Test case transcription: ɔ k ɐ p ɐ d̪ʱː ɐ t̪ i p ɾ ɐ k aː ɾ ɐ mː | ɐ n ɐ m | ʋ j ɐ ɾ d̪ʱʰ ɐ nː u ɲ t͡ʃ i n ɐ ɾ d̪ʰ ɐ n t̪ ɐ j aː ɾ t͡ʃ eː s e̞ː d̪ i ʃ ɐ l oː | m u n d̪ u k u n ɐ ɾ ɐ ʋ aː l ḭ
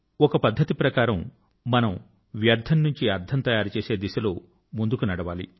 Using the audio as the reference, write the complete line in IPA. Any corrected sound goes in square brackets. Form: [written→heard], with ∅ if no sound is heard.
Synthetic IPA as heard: ɔ k ɐ p ɐ d̪ʱː ɐ t̪ i p ɾ ɐ k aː ɾ ɐ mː | ɐ n ɐ m | ʋ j ɐ ɾ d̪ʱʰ ɐ nː u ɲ t͡ʃ i [n→∅] ɐ ɾ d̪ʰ ɐ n t̪ ɐ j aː ɾ t͡ʃ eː s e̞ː d̪ i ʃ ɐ l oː | m u n d̪ u k u n ɐ [ɾ→ɽ] ɐ ʋ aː l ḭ